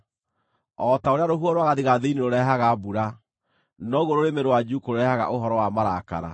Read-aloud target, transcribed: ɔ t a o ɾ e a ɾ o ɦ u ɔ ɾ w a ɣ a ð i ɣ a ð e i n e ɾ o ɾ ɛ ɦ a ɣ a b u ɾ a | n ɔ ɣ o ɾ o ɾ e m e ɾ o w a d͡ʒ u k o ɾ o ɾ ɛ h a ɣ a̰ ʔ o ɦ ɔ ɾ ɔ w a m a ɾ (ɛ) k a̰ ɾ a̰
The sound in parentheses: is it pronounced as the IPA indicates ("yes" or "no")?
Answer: no